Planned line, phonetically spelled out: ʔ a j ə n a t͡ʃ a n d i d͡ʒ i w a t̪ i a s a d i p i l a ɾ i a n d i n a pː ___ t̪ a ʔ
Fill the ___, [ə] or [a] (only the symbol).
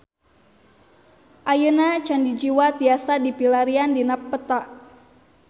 ə